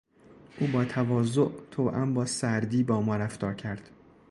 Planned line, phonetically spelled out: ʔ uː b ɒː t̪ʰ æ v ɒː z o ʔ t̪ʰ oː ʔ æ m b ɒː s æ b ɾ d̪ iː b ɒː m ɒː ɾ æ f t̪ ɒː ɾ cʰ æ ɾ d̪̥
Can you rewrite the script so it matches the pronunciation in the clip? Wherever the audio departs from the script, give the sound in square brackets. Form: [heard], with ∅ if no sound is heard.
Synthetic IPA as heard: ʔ uː b ɒː t̪ʰ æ v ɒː z o ʔ t̪ʰ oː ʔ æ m b ɒː s æ [∅] ɾ d̪ iː b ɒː m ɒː ɾ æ f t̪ ɒː ɾ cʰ æ ɾ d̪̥